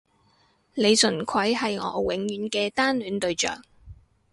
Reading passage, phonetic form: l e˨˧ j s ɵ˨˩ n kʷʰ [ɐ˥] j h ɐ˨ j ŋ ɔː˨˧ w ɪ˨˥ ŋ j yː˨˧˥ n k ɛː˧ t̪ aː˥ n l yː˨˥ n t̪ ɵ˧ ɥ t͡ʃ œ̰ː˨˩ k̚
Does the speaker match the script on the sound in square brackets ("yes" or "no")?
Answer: no